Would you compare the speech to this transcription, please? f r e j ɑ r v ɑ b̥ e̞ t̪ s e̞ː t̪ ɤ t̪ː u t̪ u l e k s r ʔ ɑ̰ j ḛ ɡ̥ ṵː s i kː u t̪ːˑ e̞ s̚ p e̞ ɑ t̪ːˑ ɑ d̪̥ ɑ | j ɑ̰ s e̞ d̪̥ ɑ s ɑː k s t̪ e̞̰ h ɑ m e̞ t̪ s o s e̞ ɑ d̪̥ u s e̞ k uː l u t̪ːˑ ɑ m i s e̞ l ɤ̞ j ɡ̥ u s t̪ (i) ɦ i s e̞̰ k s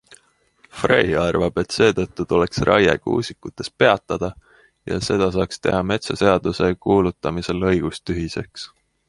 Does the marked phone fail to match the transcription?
yes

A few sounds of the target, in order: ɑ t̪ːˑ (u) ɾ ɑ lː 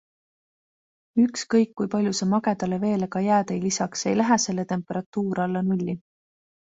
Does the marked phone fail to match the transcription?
yes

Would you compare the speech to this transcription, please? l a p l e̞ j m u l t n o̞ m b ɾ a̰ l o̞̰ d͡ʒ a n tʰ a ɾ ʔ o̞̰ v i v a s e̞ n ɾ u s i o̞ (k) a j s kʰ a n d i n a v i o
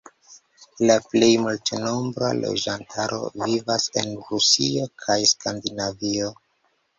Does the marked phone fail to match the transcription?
yes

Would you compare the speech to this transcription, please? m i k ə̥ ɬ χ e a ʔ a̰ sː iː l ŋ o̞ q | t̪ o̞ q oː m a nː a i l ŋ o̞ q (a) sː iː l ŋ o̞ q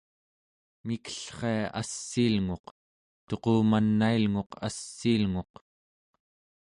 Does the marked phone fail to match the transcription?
no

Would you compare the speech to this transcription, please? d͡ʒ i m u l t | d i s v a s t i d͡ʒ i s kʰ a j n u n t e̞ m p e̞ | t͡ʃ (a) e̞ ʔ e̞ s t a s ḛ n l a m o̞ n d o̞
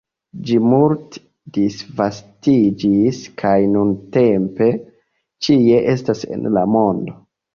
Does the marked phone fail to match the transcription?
yes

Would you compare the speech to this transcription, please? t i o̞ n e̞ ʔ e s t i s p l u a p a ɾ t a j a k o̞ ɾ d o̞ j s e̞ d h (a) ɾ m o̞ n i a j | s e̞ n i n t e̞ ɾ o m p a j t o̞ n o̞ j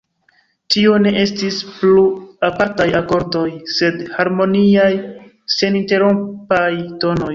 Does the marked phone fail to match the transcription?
no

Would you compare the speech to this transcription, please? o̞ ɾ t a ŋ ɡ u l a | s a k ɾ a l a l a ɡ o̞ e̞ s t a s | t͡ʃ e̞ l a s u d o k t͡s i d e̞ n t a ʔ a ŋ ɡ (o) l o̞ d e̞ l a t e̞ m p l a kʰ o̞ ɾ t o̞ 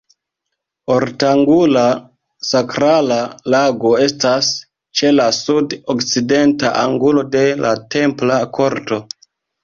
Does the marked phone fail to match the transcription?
yes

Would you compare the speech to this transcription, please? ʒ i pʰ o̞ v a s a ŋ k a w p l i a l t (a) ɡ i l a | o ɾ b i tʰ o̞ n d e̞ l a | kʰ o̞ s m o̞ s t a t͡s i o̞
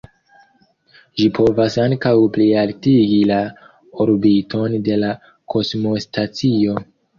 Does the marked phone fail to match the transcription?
yes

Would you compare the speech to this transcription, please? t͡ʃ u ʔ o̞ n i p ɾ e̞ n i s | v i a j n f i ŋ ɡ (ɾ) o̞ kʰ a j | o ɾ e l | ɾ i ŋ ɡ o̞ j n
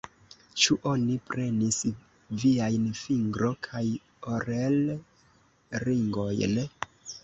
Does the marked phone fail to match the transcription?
no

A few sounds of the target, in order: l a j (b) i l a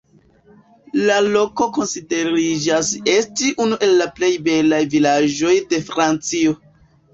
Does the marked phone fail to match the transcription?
yes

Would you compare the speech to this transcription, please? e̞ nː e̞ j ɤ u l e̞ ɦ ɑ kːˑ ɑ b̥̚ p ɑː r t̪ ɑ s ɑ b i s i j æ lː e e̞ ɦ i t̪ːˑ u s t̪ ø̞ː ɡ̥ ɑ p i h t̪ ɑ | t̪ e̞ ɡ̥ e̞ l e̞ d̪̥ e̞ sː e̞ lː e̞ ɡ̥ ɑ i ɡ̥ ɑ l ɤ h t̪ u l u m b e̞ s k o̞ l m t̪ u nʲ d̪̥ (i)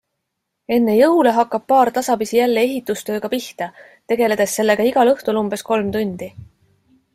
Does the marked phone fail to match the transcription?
no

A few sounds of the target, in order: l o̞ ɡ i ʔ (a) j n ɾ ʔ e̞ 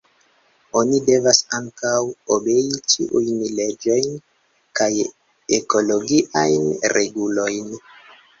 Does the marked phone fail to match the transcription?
no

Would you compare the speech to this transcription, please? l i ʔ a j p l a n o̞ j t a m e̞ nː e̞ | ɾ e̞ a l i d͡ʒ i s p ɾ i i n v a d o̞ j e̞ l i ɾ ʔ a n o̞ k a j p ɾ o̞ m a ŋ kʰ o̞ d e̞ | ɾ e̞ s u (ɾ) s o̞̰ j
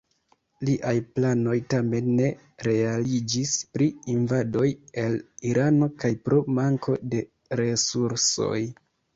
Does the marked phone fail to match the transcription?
no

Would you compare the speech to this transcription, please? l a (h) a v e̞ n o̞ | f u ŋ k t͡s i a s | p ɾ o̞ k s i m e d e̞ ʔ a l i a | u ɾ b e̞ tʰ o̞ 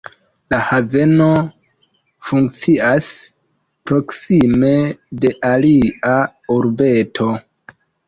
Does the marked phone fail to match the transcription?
no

